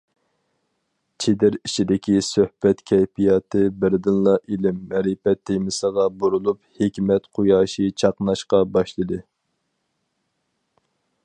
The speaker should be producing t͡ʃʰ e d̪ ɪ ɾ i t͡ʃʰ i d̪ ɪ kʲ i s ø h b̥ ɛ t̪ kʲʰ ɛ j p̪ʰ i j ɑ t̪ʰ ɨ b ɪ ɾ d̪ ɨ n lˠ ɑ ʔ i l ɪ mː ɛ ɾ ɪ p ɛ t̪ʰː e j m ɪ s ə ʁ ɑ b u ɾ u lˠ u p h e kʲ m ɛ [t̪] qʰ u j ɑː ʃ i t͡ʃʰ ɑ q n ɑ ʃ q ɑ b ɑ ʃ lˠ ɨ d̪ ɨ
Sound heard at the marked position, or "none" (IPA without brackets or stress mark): t̪